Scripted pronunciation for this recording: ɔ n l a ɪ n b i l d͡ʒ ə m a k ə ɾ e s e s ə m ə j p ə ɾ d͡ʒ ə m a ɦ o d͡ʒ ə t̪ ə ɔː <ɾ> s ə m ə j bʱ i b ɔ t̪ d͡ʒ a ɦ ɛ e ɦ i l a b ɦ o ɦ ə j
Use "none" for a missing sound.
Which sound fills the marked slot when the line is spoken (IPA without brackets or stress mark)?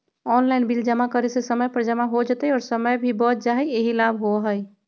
ɾ